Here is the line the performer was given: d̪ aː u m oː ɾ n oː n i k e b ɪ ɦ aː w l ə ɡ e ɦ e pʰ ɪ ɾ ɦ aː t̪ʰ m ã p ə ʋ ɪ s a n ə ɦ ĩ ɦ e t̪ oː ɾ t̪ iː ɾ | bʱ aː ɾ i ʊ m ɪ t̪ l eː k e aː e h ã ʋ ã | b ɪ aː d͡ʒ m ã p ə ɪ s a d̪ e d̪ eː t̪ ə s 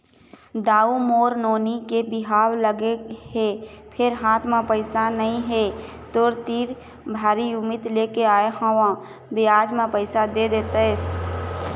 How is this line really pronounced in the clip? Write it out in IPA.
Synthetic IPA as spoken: d̪ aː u m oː ɾ n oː n i k e b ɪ ɦ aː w l ə ɡ e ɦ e pʰ ɪ ɾ ɦ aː t̪ʰ m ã p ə ɪ s a n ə ɦ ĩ ɦ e t̪ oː ɾ t̪ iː ɾ | bʱ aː ɾ i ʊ m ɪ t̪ l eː k e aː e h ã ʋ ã | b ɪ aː d͡ʒ m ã p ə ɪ s a d̪ e d̪ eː t̪ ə s